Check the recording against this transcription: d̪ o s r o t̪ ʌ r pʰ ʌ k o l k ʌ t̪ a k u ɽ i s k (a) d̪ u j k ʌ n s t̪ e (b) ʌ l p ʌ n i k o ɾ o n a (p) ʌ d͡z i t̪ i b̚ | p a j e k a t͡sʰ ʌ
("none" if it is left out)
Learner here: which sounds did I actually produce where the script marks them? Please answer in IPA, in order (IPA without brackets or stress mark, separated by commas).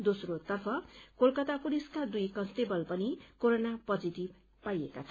a, b, p